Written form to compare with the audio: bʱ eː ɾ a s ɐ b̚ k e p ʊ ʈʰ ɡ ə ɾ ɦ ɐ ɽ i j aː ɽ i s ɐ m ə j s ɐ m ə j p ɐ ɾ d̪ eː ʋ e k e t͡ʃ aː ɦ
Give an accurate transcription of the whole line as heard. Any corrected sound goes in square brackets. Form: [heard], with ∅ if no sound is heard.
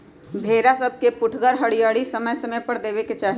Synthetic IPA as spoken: bʱ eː ɾ a s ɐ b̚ k e p ʊ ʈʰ ɡ ə ɾ ɦ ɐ ɽ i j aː ɽ i s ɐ m ə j s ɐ m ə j p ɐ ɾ d̪ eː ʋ e k e t͡ʃ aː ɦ